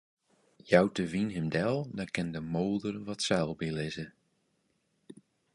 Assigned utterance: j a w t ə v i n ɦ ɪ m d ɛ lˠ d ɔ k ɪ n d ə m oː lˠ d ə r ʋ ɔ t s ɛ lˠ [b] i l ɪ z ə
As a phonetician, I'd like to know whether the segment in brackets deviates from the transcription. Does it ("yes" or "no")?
no